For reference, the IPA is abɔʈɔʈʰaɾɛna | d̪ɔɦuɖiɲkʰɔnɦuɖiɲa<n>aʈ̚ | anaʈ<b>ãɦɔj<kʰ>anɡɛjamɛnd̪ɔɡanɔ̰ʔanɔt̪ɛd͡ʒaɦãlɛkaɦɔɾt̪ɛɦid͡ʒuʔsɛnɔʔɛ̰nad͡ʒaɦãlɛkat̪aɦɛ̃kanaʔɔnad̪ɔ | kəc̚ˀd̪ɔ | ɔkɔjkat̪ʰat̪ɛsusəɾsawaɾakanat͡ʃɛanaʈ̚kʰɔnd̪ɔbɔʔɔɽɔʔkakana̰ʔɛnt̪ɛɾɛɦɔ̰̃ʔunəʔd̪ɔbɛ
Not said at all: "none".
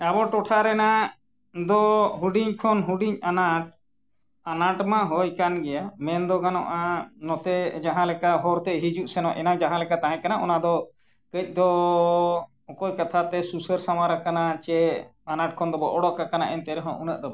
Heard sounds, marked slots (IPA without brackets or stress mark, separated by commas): n, m, k